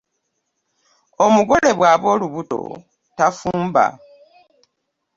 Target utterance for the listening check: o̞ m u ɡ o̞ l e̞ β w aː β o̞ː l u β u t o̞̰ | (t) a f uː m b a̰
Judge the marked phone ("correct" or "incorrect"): correct